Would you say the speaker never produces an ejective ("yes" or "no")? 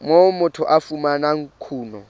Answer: yes